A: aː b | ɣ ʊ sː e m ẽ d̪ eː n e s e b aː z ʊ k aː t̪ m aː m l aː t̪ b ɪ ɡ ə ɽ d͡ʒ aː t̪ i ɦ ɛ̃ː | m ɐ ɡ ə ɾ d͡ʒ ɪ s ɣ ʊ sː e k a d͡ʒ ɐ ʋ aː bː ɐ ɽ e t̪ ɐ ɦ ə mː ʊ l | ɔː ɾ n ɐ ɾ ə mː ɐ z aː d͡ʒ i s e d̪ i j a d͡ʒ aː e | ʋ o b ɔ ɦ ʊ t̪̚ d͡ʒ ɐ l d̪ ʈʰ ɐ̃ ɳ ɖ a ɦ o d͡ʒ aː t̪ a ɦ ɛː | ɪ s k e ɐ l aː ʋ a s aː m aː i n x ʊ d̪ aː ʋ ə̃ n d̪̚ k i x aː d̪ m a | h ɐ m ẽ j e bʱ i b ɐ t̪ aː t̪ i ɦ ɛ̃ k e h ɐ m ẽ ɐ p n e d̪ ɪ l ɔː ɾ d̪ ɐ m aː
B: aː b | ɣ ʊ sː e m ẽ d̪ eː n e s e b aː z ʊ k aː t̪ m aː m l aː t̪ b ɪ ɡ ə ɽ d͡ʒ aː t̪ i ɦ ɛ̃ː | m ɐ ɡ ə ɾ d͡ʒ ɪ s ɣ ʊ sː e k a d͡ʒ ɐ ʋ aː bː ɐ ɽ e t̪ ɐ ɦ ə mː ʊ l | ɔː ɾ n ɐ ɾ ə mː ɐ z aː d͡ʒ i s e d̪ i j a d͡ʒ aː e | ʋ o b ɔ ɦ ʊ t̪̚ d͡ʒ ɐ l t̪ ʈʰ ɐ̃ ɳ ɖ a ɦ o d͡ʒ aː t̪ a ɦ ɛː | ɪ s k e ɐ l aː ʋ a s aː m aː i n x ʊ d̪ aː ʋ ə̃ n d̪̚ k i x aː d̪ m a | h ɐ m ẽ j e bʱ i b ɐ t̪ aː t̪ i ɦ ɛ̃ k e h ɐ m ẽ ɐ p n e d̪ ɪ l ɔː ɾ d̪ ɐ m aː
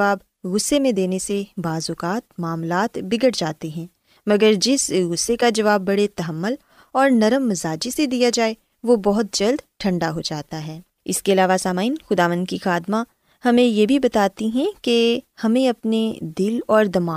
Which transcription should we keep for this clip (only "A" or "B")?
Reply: A